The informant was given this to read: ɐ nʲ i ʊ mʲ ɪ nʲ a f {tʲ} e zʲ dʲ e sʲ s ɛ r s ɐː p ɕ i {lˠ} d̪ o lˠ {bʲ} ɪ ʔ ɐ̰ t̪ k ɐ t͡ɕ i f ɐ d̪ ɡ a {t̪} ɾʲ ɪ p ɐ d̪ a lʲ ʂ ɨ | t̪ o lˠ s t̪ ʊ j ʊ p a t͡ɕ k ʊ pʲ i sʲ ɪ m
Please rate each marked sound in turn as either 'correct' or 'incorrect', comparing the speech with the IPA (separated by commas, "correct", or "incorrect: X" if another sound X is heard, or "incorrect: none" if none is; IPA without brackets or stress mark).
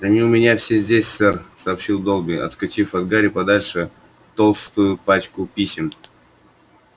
incorrect: sʲ, correct, correct, incorrect: none